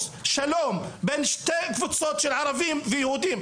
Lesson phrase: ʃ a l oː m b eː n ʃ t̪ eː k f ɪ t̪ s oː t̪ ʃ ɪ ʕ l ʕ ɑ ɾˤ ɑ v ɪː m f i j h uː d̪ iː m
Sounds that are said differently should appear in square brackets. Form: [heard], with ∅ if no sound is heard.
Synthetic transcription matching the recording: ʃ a l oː m b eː n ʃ t̪ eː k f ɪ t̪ s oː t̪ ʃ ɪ [∅] l ʕ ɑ ɾˤ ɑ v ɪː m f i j h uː d̪ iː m